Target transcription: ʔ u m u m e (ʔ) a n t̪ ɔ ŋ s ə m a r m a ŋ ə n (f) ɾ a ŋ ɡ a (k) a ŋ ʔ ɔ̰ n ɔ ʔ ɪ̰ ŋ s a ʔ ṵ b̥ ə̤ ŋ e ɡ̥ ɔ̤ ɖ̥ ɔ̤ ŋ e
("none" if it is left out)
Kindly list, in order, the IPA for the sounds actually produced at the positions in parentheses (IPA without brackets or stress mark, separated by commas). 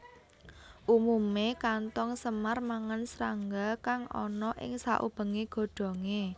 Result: k, s, k